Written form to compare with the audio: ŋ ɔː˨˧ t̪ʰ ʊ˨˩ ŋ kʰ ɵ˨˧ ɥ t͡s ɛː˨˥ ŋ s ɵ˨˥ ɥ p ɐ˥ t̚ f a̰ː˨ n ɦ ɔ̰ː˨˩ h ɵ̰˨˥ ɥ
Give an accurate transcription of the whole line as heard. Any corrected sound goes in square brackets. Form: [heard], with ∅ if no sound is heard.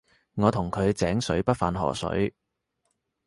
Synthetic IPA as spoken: ŋ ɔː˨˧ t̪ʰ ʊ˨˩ ŋ kʰ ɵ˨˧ ɥ t͡s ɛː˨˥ ŋ s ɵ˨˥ ɥ p ɐ˥ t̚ f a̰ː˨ n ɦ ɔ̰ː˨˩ [s] ɵ̰˨˥ ɥ